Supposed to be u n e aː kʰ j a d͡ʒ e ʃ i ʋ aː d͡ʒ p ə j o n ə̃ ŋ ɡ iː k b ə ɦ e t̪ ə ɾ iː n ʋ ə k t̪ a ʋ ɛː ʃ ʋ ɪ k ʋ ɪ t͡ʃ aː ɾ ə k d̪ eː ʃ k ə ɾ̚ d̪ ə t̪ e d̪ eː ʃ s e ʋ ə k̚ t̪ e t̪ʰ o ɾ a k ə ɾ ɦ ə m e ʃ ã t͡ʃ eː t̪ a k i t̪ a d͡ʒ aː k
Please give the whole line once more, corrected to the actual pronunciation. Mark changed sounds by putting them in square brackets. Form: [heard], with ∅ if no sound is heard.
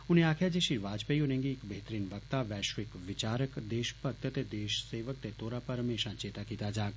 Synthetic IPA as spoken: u n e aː kʰ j a d͡ʒ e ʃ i ʋ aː d͡ʒ p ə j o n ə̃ ŋ ɡ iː k b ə ɦ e t̪ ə ɾ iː n ʋ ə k t̪ a ʋ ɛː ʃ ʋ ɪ k ʋ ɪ t͡ʃ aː ɾ ə k d̪ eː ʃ [p] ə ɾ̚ [t̪] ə t̪ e d̪ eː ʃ s e ʋ ə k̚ t̪ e [t̪] o ɾ a [p] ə ɾ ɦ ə m e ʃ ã t͡ʃ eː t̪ a k i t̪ a d͡ʒ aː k